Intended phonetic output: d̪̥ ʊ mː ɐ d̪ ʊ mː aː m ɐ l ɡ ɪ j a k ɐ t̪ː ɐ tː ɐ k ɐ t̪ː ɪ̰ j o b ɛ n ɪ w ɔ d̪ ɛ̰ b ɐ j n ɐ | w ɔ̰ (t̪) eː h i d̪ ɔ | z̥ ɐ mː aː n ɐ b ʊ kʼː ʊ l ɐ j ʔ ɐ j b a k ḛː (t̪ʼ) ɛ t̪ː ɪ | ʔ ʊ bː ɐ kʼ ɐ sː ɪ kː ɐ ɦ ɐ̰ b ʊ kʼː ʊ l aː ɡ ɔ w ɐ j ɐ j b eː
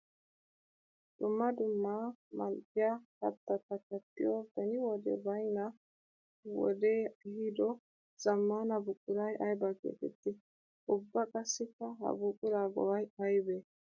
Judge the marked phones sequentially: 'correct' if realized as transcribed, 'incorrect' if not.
incorrect: d̪, incorrect: t̪

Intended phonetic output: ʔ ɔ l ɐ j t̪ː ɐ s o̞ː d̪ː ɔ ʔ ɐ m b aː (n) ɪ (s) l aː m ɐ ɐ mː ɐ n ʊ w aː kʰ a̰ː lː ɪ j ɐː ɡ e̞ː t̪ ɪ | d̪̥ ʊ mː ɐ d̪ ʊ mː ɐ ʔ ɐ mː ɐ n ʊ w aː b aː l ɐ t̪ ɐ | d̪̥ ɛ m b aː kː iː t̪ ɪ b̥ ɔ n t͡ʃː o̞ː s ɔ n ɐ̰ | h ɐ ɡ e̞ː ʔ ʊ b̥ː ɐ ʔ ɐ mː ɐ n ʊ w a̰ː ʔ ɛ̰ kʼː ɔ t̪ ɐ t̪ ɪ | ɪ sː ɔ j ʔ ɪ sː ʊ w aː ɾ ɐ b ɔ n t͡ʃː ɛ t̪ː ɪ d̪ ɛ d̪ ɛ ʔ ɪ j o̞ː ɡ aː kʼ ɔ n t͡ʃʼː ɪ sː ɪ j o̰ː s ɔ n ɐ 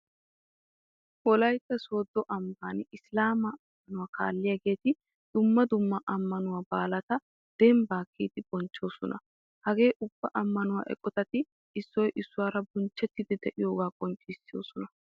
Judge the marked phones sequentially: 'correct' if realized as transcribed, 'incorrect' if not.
correct, correct

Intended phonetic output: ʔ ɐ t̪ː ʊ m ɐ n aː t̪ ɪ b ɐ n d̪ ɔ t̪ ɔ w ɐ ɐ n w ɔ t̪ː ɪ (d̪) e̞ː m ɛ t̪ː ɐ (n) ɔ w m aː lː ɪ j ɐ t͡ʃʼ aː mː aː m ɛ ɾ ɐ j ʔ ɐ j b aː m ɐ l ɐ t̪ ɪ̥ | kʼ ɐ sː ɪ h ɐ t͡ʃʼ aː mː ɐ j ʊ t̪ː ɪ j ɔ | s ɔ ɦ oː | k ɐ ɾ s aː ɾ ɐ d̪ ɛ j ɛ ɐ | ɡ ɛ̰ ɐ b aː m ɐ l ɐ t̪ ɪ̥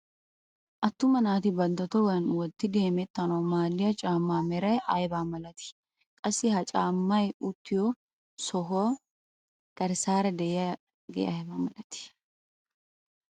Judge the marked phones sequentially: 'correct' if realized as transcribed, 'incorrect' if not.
correct, correct

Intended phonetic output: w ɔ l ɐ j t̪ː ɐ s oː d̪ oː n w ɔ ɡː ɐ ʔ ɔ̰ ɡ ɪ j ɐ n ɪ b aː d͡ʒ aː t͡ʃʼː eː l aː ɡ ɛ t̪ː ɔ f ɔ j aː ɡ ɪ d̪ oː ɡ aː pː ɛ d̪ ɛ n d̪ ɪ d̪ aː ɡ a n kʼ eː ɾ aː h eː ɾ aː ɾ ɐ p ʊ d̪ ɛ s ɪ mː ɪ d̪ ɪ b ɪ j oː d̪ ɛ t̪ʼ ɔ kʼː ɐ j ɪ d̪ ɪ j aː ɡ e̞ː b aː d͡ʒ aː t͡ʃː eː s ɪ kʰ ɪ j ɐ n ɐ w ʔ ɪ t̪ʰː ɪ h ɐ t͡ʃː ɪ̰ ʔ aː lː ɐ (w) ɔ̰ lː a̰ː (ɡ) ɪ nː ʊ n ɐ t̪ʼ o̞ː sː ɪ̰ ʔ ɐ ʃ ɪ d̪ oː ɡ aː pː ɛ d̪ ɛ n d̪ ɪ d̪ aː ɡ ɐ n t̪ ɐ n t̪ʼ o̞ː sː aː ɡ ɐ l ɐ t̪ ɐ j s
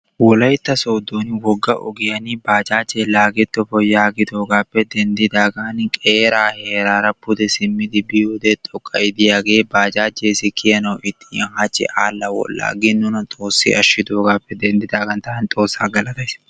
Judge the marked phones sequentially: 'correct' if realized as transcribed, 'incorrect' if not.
correct, correct

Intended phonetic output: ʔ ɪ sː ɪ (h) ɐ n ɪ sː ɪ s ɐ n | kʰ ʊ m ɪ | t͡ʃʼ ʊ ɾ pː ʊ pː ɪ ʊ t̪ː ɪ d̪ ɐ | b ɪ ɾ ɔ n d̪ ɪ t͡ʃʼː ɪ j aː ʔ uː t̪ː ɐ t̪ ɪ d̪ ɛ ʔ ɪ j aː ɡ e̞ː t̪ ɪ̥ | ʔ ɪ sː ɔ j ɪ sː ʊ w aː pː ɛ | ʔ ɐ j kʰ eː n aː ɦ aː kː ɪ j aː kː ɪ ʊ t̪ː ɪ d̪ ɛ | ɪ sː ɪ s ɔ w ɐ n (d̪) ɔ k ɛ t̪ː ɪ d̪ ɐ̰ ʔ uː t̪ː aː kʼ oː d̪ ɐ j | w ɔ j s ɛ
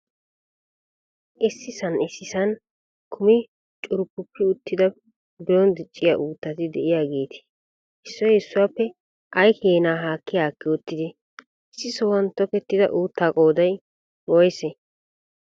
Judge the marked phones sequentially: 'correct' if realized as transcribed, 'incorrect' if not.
incorrect: s, incorrect: t̪

